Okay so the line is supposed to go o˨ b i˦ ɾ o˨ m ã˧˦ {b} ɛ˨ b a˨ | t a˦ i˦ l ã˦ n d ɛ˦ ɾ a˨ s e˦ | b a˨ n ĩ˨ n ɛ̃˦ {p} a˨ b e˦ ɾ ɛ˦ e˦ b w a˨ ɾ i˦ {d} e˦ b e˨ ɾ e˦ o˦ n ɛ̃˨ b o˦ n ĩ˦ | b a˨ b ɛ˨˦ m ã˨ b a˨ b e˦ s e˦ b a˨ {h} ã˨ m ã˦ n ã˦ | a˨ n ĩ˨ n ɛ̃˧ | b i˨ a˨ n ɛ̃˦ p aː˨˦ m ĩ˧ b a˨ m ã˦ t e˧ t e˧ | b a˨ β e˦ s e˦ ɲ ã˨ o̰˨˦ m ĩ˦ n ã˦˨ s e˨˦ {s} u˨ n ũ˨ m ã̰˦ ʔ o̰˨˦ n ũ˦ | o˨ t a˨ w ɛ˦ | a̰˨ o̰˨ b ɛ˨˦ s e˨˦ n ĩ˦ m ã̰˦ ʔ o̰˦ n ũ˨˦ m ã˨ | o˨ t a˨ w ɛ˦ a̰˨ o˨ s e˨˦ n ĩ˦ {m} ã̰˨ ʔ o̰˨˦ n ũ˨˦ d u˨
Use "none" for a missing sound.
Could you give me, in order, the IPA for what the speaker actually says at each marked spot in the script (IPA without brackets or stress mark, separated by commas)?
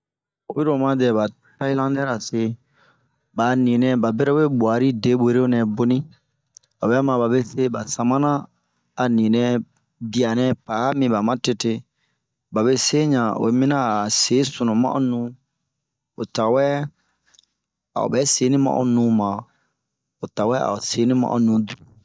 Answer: d, b, d, s, s, m